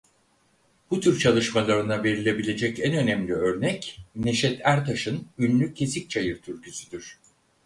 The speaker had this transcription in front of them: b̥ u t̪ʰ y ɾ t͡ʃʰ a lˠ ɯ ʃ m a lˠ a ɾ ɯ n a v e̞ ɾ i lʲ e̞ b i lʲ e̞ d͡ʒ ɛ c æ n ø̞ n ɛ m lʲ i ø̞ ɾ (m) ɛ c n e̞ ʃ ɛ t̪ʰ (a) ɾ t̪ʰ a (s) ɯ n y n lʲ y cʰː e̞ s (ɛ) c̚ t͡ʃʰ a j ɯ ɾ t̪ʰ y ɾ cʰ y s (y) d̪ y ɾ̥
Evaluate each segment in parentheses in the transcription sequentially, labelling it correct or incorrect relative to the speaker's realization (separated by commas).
incorrect, incorrect, incorrect, incorrect, correct